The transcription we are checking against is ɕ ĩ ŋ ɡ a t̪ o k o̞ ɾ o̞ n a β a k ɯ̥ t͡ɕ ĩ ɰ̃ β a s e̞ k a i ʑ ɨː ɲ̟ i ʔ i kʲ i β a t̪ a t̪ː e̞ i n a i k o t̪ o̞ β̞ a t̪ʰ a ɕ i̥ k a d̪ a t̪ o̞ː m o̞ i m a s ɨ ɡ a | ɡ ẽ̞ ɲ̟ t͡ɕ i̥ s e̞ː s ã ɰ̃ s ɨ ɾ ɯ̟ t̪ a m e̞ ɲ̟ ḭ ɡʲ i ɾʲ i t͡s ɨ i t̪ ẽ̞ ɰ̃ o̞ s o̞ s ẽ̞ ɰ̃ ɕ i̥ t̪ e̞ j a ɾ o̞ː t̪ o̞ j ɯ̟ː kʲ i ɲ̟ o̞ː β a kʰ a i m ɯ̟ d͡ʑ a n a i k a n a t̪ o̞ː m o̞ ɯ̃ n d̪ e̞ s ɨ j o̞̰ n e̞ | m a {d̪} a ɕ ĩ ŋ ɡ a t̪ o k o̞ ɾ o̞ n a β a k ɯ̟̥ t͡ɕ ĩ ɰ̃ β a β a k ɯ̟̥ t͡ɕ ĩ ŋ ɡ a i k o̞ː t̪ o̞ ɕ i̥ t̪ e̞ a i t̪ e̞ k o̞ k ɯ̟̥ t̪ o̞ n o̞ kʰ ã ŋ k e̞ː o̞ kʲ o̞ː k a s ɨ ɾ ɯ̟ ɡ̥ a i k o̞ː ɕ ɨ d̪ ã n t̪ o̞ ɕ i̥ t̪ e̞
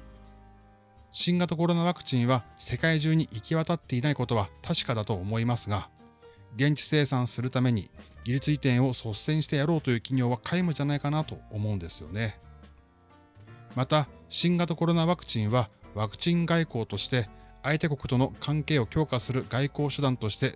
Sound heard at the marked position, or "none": t̪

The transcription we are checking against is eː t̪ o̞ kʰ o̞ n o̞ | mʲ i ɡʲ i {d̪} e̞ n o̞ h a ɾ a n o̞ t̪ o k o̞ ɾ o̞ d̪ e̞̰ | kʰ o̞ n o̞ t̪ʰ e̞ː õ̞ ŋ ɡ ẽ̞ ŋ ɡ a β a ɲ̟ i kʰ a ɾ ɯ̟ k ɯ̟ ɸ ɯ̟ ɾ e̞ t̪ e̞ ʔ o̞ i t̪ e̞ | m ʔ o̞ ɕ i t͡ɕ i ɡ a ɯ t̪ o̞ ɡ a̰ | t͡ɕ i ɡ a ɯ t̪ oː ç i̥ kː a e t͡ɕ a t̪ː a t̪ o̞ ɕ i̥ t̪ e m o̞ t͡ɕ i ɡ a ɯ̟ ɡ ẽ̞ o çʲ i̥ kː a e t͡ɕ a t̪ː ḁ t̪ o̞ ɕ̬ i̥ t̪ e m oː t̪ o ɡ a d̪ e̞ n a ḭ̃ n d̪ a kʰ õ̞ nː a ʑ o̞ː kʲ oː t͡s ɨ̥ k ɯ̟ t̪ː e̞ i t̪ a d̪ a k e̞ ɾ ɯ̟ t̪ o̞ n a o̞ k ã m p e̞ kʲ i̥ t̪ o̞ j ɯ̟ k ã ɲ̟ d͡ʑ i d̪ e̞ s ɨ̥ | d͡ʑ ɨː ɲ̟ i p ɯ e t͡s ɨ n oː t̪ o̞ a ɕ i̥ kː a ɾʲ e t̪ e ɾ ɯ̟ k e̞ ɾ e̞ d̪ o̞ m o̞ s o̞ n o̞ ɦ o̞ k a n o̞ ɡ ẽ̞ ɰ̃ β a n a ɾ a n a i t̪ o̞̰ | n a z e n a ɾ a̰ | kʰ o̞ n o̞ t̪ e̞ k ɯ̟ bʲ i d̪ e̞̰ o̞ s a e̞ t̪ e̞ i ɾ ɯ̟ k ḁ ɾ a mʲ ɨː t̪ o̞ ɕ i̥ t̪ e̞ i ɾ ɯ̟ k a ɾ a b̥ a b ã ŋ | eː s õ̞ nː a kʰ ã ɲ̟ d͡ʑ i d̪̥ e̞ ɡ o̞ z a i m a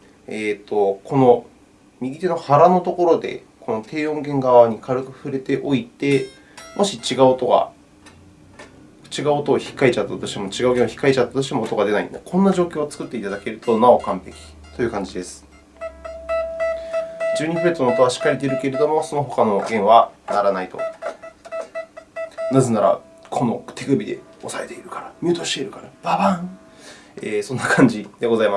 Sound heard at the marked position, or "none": t̪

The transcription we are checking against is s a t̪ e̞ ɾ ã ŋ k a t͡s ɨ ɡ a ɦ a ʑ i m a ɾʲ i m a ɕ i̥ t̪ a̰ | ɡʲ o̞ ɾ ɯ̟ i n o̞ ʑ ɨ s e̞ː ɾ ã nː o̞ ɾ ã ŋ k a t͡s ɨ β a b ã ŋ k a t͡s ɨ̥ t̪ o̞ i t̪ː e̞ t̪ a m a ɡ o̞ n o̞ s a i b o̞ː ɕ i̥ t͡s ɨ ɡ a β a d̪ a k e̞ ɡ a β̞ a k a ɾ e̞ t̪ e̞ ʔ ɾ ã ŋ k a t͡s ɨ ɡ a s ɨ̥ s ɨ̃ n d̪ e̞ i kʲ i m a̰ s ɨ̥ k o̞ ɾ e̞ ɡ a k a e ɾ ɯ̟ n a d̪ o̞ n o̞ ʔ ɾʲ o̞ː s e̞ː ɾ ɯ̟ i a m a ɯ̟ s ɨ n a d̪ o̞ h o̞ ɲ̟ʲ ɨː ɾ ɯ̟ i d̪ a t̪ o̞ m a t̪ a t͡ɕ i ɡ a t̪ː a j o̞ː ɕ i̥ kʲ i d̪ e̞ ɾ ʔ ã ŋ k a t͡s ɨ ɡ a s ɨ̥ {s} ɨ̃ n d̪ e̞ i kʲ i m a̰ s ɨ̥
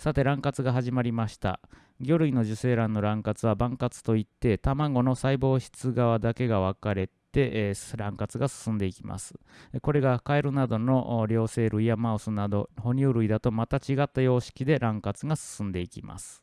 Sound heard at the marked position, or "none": s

